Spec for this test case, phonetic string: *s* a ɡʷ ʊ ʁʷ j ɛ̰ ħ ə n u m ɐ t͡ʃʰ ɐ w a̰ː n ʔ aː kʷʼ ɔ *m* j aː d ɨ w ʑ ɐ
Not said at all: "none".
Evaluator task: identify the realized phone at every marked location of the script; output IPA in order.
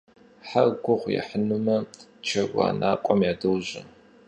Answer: ħ, m

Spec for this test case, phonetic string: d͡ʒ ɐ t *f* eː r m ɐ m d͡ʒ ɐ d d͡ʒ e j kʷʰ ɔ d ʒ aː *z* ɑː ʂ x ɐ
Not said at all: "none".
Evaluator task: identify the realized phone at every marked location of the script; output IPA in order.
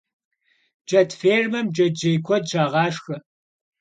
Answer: f, ʁ

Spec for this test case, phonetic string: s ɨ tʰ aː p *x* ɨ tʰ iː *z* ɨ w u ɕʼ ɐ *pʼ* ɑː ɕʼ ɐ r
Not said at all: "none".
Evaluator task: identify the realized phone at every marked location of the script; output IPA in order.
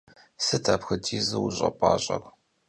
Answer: x, z, pʼ

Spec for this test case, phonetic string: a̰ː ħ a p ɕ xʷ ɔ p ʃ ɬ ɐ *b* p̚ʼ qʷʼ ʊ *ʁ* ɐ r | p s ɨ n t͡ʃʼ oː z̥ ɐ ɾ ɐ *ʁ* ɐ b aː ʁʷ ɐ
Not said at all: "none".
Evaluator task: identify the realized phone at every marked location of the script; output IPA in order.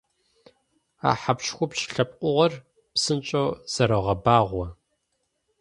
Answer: none, ʁ, ʁ

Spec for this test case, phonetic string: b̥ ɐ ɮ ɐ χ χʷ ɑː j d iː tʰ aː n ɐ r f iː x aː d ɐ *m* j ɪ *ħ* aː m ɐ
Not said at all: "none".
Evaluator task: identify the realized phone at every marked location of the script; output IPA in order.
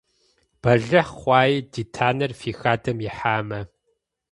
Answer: m, ħ

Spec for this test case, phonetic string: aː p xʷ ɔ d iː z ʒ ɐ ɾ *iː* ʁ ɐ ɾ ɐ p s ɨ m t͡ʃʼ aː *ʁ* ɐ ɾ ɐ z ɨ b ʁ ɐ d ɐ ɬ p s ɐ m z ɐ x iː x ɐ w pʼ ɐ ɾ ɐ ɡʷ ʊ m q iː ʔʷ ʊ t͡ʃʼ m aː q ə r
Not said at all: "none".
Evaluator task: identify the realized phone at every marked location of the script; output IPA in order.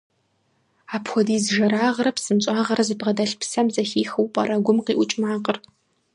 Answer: aː, ʁ

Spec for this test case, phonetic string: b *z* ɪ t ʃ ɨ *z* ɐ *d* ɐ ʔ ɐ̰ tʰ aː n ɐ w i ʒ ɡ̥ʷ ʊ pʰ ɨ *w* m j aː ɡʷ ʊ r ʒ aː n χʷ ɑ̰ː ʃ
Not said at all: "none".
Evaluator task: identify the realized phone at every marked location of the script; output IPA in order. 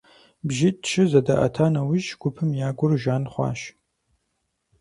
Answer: ʒ, z, d, none

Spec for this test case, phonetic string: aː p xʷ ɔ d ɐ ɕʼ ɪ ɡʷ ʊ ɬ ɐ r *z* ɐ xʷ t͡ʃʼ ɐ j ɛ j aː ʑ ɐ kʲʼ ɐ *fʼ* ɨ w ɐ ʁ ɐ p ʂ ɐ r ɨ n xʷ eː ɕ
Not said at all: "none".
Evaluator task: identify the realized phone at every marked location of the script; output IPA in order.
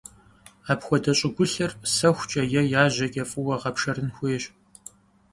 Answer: s, fʼ

